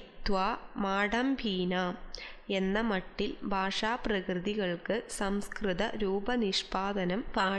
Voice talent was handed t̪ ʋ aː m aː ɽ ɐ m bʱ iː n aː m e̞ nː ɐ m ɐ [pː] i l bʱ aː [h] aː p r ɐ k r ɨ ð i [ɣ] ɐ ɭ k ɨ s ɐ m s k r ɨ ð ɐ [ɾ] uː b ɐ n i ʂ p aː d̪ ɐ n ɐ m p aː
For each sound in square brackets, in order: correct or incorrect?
incorrect: ʈː, incorrect: ʂ, correct, correct

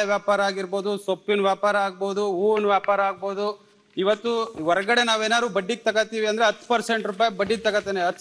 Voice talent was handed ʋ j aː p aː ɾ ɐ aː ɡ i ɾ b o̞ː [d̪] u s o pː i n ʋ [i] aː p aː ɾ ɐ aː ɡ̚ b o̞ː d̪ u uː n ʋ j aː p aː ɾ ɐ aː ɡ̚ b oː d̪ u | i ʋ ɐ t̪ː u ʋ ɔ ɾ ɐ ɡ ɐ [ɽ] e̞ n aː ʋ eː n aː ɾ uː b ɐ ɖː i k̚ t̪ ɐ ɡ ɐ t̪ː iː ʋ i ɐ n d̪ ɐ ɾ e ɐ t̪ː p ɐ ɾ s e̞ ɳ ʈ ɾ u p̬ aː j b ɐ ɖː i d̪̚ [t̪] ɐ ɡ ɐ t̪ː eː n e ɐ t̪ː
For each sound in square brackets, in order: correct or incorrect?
correct, incorrect: j, correct, correct

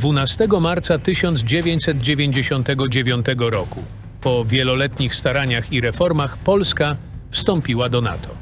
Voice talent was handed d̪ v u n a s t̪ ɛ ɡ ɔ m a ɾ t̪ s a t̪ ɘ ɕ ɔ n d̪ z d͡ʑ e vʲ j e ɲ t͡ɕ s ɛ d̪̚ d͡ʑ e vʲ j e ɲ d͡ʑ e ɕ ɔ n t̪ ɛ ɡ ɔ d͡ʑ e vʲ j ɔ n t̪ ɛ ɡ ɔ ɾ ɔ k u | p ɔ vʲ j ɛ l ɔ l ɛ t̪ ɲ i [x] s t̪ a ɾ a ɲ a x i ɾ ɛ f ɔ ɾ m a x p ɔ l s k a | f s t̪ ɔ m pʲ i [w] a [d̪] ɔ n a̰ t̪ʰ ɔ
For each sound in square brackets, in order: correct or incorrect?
correct, correct, correct

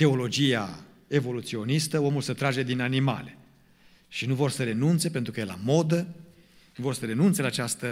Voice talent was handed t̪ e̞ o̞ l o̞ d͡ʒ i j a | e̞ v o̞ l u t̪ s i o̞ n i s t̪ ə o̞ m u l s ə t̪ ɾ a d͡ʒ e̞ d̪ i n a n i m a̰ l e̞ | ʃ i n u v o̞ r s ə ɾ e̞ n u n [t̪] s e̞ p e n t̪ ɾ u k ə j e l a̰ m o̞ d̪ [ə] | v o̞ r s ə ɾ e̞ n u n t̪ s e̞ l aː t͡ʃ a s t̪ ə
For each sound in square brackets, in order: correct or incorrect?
correct, correct

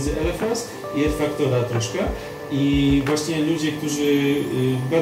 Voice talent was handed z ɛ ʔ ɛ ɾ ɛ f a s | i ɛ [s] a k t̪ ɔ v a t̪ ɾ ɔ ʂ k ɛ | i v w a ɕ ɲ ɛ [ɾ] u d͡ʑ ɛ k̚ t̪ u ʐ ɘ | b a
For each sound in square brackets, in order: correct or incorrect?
incorrect: f, incorrect: l

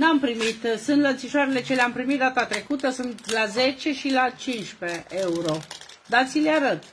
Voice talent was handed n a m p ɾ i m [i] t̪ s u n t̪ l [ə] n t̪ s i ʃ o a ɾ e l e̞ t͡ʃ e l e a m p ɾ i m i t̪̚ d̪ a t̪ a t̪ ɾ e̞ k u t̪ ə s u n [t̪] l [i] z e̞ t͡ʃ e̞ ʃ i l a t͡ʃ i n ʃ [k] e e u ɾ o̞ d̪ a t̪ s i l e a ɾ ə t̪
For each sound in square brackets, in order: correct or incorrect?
correct, correct, correct, incorrect: a, incorrect: p

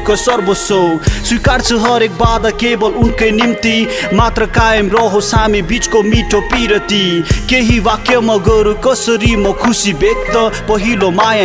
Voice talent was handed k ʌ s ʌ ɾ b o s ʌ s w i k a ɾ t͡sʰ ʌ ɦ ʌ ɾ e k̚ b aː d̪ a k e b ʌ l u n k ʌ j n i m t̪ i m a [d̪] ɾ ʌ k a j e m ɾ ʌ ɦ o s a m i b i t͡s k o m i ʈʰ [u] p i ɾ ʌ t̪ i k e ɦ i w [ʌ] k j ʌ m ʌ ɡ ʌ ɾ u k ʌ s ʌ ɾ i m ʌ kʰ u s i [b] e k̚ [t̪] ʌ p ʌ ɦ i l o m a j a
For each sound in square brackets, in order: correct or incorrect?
incorrect: t̪, incorrect: o, incorrect: a, correct, correct

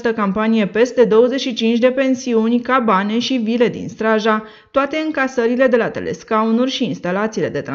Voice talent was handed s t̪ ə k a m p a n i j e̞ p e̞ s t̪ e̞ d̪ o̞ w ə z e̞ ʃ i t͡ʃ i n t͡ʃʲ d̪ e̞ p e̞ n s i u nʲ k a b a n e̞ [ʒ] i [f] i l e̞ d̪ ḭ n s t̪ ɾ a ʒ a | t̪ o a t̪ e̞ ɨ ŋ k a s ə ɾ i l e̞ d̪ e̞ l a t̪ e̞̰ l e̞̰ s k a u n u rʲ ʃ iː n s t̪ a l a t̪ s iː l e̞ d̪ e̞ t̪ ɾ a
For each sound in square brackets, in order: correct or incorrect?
incorrect: ʃ, incorrect: v

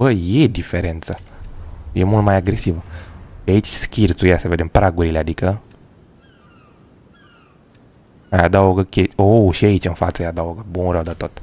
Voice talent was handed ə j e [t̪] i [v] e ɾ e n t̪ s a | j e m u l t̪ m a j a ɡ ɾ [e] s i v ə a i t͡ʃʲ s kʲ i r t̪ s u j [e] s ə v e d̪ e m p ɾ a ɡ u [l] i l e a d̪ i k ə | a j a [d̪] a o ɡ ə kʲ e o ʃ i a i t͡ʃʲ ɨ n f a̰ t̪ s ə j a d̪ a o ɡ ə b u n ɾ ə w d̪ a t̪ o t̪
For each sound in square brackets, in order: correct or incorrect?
incorrect: d̪, incorrect: f, correct, incorrect: a, incorrect: ɾ, correct

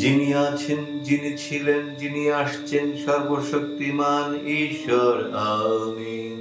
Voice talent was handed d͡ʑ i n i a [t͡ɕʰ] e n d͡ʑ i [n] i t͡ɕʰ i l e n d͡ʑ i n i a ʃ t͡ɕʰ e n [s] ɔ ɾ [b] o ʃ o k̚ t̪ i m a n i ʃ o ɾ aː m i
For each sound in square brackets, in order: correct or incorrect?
correct, correct, incorrect: ʃ, correct

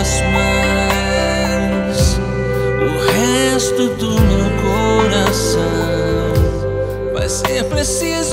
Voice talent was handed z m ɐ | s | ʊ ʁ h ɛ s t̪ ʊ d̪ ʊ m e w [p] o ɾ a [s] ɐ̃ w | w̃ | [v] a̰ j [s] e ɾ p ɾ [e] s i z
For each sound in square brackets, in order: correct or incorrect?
incorrect: k, correct, correct, correct, correct

